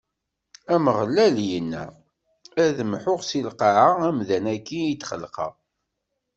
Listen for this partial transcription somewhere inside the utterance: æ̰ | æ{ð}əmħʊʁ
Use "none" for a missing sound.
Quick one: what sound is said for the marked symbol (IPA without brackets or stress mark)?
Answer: ð